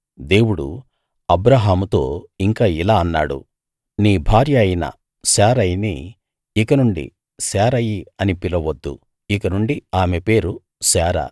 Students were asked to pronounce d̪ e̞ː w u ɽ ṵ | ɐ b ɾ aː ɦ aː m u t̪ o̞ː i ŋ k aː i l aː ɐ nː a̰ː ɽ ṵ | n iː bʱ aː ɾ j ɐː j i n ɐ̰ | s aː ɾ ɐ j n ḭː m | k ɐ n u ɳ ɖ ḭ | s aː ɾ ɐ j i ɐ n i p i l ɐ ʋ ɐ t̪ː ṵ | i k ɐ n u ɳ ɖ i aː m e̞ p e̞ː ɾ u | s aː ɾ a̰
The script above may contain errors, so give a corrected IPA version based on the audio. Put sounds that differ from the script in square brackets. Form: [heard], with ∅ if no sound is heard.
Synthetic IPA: d̪ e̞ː w u ɽ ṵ | ɐ b ɾ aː ɦ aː m u t̪ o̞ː i ŋ k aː i l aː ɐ nː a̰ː ɽ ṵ | n iː bʱ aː ɾ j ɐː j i n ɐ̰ | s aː ɾ ɐ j n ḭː [∅] | k ɐ n u ɳ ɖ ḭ | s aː ɾ ɐ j i ɐ n i p i l ɐ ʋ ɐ [d̪ː] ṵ | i k ɐ n u ɳ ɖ i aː m e̞ p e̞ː ɾ u | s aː ɾ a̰